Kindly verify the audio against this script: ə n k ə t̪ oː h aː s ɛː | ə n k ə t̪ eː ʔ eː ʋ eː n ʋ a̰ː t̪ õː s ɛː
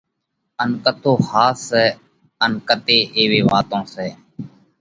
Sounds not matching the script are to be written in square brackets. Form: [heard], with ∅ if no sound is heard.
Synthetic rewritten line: ə n k ə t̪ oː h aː s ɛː | ə n k ə t̪ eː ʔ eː ʋ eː [∅] ʋ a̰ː t̪ õː s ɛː